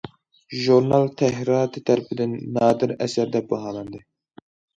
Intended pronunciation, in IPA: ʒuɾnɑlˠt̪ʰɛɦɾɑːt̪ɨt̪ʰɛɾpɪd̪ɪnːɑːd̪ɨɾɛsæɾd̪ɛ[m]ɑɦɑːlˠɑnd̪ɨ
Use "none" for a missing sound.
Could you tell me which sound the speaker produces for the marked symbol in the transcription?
b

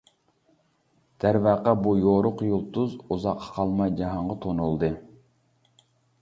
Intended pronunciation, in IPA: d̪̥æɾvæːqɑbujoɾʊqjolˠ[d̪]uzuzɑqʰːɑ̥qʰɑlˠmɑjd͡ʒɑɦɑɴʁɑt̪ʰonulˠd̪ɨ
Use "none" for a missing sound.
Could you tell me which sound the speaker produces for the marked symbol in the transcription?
t̪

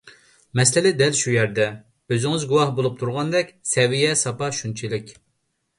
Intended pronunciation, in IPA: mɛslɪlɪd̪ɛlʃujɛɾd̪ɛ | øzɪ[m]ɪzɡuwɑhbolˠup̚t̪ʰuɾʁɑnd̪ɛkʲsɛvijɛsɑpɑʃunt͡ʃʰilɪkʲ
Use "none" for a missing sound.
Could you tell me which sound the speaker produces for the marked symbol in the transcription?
ŋ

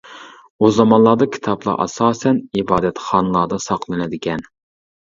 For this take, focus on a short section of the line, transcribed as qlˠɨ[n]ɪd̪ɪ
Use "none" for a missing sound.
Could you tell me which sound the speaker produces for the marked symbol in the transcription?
n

